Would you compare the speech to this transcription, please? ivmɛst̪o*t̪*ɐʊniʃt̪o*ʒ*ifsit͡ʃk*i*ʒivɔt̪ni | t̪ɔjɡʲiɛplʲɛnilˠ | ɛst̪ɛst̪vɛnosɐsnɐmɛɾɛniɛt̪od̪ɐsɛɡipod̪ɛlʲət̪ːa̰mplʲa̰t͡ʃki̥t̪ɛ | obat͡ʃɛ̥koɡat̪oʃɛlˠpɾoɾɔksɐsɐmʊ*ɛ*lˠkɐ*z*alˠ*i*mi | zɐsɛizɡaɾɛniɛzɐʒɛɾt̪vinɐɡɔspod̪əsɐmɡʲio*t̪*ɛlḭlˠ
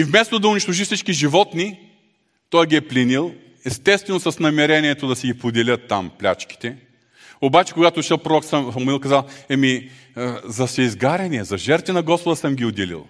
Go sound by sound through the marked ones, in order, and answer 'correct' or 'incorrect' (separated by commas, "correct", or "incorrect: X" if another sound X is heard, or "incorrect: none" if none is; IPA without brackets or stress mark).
incorrect: d̪, correct, correct, incorrect: i, correct, incorrect: ɛ, incorrect: d̪